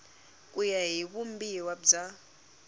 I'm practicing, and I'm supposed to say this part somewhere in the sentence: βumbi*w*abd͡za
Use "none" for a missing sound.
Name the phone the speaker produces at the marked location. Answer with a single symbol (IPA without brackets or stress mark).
w